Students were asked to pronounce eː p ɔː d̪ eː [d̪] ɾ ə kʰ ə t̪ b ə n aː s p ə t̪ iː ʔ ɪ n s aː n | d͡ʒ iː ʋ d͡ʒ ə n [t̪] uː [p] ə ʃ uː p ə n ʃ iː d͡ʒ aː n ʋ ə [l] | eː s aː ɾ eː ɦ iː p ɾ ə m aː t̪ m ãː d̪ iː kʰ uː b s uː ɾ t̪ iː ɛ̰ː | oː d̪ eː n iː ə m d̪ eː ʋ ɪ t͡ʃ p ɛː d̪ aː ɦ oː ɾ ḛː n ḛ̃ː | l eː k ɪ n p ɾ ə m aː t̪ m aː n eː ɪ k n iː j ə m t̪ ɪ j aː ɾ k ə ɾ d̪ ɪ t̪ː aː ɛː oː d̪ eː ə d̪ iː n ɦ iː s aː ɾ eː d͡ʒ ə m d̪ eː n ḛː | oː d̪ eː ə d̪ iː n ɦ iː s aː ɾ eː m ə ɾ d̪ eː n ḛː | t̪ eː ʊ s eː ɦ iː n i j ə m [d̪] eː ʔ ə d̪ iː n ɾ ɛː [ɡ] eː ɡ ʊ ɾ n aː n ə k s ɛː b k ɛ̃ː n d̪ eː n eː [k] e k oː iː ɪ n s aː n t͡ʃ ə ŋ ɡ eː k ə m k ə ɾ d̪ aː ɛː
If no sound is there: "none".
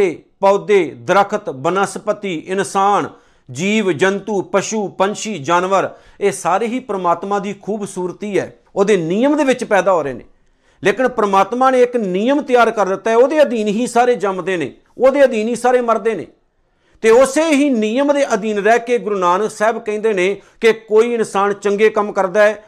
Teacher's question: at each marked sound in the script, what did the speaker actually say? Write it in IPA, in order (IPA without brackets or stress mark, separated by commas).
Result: d̪, t̪, p, ɾ, d̪, k, k